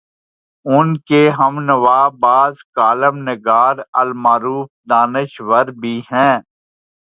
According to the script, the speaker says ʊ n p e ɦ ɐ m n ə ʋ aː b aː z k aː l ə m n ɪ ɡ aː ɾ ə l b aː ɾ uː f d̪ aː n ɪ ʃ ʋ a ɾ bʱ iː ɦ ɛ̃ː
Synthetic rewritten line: ʊ n k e ɦ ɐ m n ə ʋ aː b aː z k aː l ə m n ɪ ɡ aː ɾ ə l m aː ɾ uː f d̪ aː n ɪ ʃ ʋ ə ɾ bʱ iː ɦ ɛ̃ː